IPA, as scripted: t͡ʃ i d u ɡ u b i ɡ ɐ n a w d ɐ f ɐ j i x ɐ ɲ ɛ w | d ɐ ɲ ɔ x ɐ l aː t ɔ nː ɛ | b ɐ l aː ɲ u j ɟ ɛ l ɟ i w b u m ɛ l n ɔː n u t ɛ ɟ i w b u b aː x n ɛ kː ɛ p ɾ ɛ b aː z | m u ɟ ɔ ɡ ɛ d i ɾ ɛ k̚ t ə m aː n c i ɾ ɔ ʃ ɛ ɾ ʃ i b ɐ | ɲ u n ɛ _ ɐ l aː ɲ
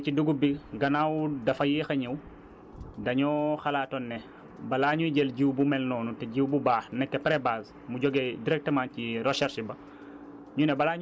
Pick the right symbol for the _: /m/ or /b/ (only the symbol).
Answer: b